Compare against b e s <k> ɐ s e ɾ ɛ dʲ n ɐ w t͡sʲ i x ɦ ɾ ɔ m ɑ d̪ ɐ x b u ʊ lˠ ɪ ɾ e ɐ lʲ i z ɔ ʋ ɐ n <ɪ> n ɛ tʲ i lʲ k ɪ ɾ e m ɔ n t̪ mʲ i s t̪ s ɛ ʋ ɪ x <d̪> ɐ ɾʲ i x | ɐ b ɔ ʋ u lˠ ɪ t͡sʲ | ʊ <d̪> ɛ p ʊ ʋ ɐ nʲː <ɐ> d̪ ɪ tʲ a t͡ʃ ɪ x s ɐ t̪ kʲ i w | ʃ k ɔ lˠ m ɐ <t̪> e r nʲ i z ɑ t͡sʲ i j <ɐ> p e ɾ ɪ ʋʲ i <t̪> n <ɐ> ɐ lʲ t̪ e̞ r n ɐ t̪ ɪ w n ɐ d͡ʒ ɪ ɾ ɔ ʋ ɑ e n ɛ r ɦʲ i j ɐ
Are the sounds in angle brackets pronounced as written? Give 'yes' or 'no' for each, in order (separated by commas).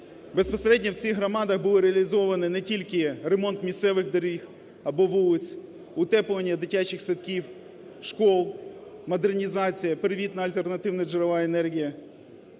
no, yes, yes, no, yes, no, yes, yes, yes